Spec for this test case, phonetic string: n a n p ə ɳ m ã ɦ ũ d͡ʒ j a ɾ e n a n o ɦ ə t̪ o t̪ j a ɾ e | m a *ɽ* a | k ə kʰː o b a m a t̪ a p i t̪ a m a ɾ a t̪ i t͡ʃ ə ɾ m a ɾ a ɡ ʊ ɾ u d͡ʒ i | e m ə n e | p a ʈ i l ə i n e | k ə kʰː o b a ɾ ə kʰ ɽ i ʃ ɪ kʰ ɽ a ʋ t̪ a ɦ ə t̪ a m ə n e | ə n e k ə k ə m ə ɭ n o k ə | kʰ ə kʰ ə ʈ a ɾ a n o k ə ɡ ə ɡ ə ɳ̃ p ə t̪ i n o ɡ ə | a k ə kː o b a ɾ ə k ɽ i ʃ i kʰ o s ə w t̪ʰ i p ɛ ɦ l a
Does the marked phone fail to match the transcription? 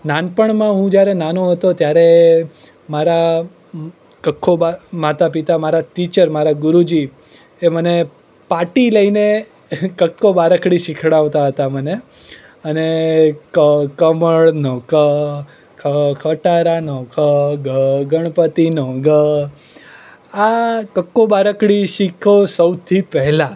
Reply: yes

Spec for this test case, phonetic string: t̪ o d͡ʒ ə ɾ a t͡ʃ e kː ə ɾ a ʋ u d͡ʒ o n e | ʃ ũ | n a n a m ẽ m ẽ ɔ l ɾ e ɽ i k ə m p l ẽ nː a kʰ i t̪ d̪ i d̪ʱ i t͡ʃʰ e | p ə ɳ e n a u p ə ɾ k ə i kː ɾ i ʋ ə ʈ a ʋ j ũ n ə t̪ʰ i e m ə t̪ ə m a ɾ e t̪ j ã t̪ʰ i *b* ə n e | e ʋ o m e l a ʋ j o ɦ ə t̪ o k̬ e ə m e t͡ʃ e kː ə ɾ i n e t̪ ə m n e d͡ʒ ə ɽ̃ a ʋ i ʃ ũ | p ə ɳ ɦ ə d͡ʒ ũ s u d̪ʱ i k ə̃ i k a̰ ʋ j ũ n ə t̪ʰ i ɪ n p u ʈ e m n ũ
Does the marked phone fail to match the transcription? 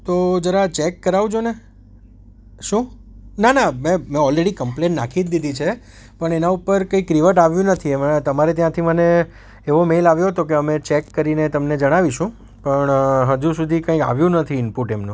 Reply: yes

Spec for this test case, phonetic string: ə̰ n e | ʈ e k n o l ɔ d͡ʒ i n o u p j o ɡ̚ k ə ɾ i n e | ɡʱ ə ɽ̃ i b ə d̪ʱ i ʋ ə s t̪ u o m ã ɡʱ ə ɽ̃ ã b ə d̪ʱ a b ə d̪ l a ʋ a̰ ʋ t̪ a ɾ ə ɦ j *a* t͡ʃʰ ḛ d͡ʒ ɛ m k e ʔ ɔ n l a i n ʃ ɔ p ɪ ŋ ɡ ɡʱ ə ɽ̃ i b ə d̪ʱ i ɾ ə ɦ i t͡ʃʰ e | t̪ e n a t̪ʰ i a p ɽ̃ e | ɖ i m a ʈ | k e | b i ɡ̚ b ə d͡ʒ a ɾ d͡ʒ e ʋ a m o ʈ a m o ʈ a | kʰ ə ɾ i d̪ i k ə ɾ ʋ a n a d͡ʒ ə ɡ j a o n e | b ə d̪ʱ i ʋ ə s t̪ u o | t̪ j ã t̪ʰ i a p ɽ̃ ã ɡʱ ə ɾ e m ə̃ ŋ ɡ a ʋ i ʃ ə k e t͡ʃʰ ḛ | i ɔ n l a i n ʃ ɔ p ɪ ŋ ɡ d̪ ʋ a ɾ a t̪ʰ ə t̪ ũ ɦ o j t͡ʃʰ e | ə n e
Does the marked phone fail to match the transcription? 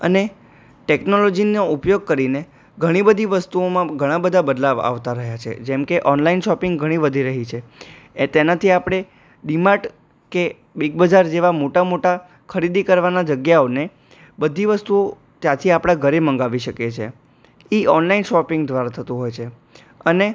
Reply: no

